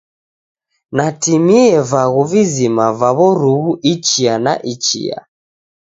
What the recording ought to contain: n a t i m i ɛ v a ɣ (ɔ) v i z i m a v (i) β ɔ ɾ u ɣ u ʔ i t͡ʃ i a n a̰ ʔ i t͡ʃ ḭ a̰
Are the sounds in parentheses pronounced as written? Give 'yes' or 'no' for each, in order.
no, no

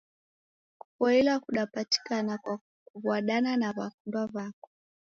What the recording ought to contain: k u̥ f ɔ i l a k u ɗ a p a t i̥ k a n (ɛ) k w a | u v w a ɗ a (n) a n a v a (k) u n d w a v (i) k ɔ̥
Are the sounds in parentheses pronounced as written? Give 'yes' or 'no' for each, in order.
no, yes, yes, no

